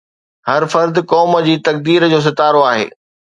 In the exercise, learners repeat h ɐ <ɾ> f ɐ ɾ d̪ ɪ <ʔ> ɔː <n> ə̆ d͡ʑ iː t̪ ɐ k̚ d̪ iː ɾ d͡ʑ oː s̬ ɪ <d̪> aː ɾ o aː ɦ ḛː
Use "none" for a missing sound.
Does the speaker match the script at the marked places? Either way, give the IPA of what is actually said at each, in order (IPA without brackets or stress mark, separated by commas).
ɾ, k, m, t̪